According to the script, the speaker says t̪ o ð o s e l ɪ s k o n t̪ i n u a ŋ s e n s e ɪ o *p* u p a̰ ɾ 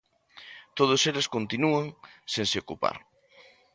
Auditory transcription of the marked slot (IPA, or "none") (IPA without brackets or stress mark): k